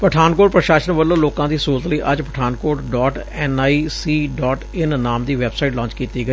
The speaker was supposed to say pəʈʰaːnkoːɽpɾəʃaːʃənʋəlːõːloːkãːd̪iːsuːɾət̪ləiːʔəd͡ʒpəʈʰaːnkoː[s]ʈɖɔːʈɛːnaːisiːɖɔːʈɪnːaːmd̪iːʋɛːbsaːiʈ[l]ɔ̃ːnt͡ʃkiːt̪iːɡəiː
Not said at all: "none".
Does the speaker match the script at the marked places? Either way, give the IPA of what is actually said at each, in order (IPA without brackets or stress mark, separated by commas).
none, l